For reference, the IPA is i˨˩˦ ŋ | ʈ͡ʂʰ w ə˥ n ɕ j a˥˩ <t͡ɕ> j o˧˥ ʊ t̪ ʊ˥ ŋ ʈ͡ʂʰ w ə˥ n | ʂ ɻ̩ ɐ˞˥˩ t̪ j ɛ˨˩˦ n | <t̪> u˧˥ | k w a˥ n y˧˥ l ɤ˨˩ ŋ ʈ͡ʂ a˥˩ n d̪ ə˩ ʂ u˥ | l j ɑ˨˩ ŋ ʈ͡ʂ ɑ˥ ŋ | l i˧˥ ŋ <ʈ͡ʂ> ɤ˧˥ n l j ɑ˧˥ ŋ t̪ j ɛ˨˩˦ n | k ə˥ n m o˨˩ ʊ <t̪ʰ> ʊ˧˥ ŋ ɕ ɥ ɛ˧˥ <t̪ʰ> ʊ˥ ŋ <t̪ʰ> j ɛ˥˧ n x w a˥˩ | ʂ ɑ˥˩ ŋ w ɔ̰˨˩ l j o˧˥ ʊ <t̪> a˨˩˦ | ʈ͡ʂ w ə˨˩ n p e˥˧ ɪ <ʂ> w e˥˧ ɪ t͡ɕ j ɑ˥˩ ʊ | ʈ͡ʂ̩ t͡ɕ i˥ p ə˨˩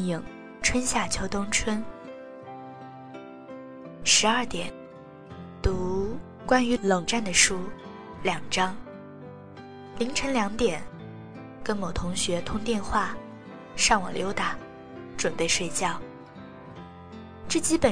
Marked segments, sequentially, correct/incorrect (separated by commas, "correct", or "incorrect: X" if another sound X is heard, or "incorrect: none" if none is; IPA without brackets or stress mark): incorrect: t͡ɕʰ, correct, incorrect: ʈ͡ʂʰ, correct, correct, incorrect: t̪, correct, correct